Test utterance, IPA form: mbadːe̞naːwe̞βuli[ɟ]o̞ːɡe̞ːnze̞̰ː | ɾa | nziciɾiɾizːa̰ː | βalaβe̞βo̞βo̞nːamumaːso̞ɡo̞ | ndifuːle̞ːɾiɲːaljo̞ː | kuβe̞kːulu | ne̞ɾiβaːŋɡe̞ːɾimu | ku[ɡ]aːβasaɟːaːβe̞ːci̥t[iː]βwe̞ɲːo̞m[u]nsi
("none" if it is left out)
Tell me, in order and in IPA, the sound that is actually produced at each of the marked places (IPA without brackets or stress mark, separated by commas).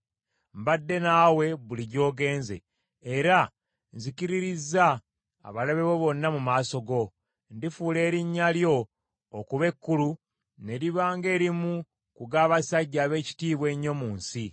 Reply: ɟ, ɡ, iː, uː